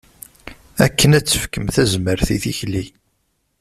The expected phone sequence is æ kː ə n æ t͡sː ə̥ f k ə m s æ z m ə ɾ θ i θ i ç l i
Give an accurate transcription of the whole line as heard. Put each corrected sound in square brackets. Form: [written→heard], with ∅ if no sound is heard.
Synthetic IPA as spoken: æ kː ə n æ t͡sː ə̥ f k ə m [s→θ] æ z m ə ɾ θ i θ i ç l i